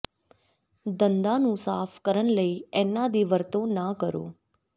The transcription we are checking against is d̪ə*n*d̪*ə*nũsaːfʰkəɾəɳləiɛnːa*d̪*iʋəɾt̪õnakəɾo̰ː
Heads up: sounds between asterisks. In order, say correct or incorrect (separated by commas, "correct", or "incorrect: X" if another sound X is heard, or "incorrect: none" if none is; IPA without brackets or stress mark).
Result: correct, incorrect: a, correct